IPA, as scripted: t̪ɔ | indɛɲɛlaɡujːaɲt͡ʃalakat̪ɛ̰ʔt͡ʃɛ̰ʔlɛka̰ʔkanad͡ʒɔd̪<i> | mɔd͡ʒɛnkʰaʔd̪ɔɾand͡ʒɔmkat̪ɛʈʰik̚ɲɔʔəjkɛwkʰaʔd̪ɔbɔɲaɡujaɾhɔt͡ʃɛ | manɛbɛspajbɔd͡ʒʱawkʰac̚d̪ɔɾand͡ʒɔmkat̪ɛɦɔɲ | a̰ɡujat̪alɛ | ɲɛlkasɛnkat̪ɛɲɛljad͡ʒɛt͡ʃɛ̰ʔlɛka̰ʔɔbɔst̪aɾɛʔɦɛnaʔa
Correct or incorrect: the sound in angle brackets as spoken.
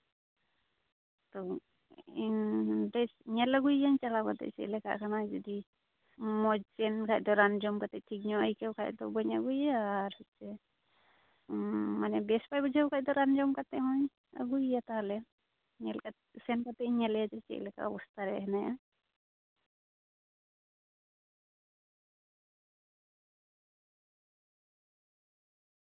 correct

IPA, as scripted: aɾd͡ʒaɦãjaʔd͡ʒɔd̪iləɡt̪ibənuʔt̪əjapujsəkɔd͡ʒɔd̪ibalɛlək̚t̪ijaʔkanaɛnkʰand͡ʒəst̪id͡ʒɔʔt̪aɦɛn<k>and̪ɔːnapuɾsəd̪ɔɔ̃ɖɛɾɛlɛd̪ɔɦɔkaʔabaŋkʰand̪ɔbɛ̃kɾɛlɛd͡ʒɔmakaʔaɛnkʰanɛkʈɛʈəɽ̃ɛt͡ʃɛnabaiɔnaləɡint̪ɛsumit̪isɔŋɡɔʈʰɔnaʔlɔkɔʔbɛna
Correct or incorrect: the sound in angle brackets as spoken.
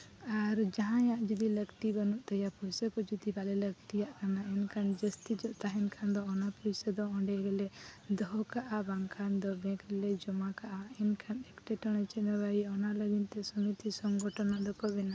incorrect: kʰ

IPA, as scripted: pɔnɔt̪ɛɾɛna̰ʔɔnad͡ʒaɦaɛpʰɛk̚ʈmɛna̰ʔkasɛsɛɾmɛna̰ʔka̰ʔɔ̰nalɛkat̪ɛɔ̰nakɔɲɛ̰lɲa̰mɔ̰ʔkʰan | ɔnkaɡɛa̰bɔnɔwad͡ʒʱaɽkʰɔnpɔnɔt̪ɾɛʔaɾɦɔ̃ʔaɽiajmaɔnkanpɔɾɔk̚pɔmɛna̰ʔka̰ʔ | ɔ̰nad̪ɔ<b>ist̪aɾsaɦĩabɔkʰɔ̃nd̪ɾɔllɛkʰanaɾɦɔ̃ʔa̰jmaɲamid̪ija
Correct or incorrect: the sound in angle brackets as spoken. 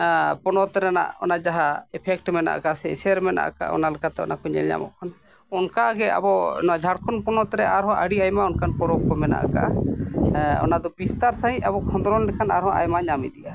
correct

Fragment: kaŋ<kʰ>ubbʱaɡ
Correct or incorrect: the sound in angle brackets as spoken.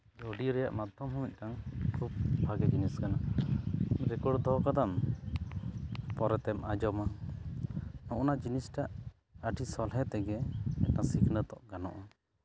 correct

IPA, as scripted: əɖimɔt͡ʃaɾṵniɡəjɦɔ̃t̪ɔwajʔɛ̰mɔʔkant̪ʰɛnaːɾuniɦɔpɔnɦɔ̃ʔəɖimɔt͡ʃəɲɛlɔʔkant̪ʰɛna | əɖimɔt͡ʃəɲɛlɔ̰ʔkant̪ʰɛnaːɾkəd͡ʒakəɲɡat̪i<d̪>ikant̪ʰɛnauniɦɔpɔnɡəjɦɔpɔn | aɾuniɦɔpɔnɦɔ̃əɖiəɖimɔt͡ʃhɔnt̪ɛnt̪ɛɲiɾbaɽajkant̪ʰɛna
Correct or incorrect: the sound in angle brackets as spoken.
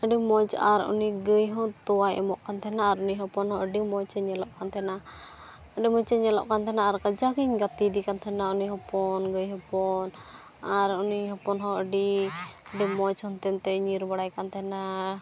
correct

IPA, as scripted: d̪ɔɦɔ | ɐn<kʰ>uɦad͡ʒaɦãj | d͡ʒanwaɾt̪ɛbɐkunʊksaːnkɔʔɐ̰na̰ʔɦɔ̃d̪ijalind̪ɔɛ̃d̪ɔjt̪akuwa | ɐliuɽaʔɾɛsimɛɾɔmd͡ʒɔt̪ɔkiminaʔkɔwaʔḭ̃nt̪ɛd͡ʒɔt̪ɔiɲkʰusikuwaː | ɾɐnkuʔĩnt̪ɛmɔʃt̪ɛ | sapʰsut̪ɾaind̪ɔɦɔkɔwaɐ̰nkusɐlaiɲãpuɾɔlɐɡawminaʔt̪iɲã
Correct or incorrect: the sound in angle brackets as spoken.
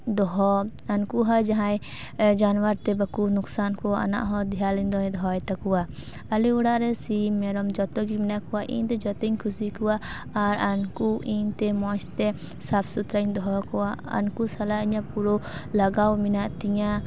incorrect: k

